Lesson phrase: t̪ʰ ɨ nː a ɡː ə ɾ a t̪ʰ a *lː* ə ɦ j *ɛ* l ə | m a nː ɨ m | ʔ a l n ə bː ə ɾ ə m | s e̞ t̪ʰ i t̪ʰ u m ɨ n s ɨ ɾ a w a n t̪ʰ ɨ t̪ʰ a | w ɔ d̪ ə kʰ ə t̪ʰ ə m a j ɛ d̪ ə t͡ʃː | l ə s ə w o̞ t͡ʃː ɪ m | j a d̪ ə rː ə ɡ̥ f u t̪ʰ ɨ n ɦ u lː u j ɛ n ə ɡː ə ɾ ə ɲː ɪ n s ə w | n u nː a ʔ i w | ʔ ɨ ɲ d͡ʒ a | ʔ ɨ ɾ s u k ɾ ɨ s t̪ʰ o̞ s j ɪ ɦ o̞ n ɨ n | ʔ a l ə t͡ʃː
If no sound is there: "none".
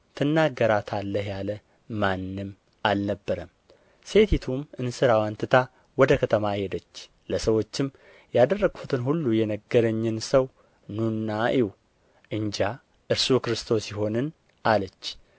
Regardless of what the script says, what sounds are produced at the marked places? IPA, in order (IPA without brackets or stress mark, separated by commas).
lː, a